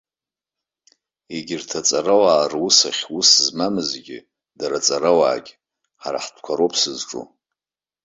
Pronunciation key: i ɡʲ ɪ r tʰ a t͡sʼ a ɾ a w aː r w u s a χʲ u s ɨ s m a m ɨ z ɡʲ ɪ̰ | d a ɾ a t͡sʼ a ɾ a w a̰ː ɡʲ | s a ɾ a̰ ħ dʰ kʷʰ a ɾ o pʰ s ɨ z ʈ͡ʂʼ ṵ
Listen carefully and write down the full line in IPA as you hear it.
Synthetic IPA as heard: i ɡʲ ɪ r tʰ a t͡sʼ a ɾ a w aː r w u s a χʲ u s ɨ z m a m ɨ z ɡʲ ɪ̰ | d a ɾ a t͡sʼ a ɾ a w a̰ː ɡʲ | ħ a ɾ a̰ ħ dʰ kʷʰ a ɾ o pʰ s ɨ z ʈ͡ʂʼ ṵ